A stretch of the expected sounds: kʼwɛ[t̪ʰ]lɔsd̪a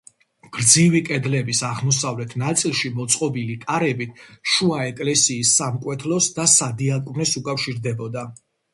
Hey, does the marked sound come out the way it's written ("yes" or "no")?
yes